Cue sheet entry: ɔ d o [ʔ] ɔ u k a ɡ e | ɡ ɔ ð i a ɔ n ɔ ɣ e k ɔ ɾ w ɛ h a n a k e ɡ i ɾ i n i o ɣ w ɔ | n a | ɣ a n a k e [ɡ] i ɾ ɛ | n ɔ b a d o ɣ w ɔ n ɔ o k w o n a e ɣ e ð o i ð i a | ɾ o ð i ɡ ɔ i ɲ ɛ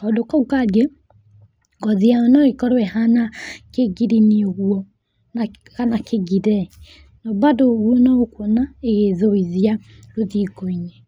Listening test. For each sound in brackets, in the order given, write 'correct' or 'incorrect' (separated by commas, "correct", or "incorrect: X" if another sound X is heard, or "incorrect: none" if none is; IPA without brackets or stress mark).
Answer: incorrect: k, correct